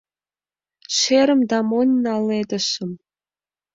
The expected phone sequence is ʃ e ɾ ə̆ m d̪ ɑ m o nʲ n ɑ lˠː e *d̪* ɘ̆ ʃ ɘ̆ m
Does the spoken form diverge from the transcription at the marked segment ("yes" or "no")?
no